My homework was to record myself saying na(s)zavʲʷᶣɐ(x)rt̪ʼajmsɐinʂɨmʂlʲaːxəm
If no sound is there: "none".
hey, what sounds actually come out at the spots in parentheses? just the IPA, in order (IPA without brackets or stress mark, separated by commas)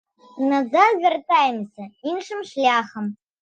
none, none